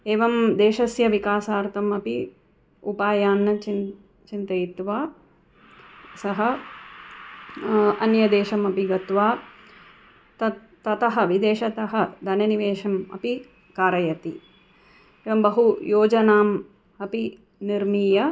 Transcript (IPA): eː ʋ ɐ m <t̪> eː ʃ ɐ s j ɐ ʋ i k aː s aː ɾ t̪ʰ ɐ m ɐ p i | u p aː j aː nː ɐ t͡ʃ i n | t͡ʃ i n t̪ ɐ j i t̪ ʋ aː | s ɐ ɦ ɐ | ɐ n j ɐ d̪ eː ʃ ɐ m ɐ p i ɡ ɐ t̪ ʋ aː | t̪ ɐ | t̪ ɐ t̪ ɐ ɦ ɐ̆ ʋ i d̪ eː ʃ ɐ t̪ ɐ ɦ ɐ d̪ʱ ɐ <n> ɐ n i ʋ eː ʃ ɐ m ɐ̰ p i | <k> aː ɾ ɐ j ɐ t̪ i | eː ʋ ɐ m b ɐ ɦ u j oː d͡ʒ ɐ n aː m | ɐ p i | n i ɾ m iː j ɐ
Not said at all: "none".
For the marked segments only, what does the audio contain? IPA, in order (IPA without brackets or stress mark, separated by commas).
d̪, n, k